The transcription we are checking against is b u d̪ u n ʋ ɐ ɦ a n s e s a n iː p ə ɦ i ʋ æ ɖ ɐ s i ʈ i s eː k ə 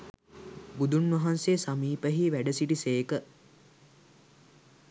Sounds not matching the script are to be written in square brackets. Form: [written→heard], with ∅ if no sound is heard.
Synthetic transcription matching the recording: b u d̪ u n ʋ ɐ ɦ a n s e s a [n→m] iː p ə ɦ i ʋ æ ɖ [ɐ→ə] s i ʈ i s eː k ə